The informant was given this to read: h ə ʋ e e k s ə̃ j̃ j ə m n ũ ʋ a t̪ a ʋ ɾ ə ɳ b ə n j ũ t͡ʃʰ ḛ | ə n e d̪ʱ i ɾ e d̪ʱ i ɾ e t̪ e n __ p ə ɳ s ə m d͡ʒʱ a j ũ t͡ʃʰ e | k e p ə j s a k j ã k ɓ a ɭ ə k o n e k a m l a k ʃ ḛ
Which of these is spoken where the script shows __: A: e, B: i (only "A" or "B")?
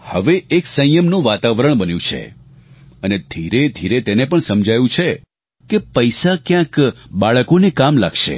A